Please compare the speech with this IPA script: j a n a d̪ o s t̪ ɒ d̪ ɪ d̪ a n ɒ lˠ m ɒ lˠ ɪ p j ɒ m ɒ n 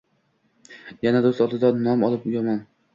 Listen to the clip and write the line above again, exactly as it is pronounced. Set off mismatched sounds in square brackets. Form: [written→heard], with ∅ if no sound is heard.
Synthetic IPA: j a n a d̪ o s t̪ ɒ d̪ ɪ d̪ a n ɒ [lˠ→∅] m ɒ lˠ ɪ p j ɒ m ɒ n